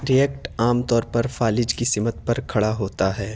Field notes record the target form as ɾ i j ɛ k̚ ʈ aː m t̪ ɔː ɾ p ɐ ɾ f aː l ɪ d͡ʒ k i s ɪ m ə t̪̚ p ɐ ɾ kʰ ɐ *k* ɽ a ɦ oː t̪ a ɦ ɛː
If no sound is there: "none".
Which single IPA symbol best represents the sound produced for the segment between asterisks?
none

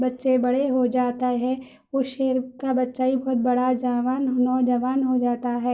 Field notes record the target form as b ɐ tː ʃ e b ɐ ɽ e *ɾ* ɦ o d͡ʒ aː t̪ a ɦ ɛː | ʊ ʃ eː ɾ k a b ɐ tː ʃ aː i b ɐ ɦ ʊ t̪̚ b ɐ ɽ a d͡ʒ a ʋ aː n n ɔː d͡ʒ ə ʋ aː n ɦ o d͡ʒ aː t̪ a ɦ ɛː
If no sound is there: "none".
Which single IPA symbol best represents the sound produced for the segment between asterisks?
none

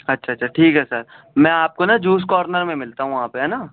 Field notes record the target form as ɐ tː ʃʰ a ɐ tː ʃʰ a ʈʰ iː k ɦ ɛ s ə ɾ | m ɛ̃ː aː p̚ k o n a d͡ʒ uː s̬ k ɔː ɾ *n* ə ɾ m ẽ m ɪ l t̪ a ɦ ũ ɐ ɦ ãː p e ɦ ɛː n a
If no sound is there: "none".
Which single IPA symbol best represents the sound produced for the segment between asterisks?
n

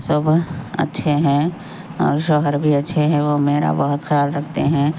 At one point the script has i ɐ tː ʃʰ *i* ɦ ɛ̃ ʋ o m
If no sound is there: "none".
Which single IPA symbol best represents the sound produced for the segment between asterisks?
e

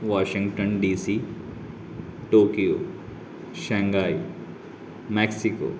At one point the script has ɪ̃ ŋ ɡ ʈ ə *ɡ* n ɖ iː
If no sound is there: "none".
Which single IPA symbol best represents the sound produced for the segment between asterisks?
none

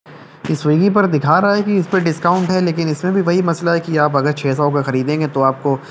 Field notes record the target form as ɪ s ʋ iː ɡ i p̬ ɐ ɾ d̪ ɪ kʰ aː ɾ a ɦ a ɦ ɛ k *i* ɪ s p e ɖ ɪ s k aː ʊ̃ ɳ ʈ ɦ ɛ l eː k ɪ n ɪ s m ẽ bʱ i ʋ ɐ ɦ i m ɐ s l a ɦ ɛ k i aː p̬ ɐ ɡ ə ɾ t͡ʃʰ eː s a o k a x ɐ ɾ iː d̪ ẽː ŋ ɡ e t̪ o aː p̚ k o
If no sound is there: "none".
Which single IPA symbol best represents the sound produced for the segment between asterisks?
i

